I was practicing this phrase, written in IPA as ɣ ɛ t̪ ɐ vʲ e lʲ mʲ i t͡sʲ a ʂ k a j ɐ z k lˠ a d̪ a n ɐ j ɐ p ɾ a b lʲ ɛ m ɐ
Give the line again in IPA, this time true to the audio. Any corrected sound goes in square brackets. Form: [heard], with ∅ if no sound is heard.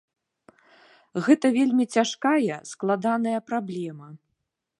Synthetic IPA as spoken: ɣ ɛ t̪ ɐ vʲ e lʲ mʲ i t͡sʲ a ʂ k a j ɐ [s] k lˠ a d̪ a n ɐ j ɐ p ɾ a b lʲ ɛ m ɐ